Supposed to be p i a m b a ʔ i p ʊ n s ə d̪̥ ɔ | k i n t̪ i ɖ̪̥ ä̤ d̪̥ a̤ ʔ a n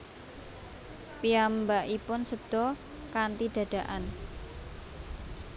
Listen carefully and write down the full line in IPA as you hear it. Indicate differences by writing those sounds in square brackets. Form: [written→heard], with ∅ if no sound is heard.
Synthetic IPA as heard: p i a m b a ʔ i p ʊ n s ə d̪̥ ɔ | k [i→a] n t̪ i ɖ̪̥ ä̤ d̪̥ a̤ ʔ a n